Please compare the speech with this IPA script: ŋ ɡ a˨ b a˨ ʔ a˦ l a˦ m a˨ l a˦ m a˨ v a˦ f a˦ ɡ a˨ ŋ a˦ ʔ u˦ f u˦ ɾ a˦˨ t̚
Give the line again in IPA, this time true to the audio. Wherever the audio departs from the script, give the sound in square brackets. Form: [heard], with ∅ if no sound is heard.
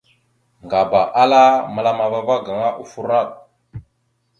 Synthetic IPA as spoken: ŋ ɡ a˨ b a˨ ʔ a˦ l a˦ m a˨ l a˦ m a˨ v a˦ [v] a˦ ɡ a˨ ŋ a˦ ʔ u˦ f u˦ ɾ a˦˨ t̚